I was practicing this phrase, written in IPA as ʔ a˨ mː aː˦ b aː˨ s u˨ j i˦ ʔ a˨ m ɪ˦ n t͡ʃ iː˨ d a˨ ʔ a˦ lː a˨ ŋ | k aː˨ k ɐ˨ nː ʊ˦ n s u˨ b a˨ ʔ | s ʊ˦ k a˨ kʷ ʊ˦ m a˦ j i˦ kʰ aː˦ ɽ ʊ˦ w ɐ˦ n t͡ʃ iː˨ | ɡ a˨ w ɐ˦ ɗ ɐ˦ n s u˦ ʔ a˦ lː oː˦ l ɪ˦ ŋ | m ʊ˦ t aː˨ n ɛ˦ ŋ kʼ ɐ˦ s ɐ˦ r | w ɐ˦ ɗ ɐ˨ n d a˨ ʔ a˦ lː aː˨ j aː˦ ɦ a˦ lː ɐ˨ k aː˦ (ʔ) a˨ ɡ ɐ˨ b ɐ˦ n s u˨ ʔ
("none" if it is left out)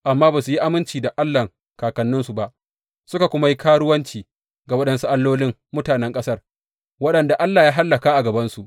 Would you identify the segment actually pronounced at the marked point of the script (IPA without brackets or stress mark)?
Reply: ʔ